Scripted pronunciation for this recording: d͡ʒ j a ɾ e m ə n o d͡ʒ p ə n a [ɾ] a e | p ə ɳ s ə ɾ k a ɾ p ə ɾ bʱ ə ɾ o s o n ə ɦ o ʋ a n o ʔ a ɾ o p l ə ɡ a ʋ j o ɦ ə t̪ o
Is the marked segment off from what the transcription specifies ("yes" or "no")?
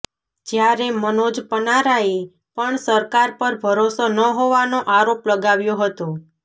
no